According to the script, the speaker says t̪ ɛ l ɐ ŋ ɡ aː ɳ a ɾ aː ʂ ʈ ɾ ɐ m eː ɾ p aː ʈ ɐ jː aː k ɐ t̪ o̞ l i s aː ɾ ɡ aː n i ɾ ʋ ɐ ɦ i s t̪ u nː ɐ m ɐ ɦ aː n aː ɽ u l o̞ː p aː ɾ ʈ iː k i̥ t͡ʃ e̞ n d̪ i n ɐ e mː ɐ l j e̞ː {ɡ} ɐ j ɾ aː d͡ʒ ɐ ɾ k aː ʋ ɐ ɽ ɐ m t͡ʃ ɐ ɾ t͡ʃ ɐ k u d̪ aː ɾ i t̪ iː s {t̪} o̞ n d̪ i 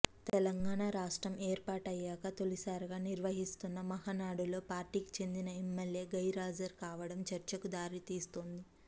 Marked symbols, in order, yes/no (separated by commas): yes, yes